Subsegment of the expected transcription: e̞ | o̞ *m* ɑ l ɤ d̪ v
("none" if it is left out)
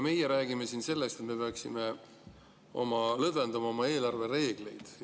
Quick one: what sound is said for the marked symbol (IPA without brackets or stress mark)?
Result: m